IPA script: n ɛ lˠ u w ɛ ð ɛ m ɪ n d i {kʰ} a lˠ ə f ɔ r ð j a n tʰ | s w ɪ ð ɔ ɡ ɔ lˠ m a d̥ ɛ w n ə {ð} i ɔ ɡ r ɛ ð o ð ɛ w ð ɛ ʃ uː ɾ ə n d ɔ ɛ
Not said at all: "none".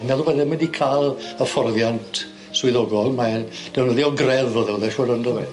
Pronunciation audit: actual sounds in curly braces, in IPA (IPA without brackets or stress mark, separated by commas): kʰ, ð